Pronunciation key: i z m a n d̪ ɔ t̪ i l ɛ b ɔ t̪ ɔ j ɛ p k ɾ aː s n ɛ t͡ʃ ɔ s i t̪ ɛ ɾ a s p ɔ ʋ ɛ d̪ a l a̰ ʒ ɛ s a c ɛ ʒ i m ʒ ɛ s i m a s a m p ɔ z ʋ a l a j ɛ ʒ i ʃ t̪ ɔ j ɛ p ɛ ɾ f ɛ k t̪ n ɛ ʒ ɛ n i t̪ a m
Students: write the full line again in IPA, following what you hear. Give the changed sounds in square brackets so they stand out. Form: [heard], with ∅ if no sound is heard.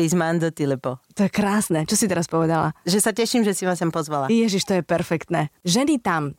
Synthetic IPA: i z m a n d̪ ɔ t̪ i l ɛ [p] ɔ t̪ ɔ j ɛ [∅] k ɾ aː s n ɛ t͡ʃ ɔ s i t̪ ɛ ɾ a s p ɔ ʋ ɛ d̪ a l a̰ ʒ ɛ s a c ɛ [ʃ] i m ʒ ɛ s i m a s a m p ɔ z ʋ a l a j ɛ ʒ i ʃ t̪ ɔ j ɛ p ɛ ɾ f ɛ k t̪ n ɛ ʒ ɛ n i t̪ a m